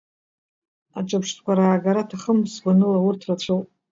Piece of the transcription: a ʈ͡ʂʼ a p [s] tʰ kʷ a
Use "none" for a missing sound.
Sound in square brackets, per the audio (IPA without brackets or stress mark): ʂ